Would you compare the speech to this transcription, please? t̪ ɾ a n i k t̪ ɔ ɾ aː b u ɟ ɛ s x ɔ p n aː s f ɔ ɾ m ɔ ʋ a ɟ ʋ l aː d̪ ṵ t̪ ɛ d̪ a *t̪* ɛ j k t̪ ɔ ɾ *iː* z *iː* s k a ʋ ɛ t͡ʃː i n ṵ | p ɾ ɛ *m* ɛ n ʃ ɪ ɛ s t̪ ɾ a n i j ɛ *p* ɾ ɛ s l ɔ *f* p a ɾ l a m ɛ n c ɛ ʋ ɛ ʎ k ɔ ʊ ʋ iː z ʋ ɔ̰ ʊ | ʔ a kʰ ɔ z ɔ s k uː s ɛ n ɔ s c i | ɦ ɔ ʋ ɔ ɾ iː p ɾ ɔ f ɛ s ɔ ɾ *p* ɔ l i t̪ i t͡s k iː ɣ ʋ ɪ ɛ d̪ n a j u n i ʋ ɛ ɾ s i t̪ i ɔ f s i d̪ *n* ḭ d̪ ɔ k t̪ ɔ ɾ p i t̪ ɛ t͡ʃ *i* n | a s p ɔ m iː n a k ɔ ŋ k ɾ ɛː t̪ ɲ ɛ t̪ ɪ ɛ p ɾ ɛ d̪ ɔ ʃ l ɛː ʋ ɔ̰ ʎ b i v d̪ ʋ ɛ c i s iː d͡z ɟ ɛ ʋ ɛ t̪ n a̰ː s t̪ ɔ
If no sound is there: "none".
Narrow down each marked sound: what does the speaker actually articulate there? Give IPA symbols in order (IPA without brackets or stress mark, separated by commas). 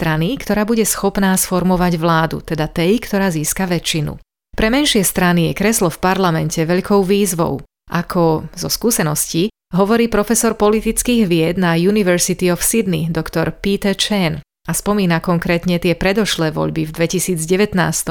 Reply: t̪, aː, iː, m, k, f, p, n, ɛ